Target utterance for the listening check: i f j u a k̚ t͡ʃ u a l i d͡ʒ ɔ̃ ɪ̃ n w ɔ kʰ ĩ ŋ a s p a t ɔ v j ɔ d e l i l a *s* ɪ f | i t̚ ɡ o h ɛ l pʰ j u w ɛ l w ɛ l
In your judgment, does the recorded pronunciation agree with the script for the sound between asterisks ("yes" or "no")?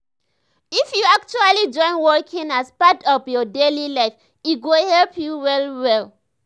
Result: no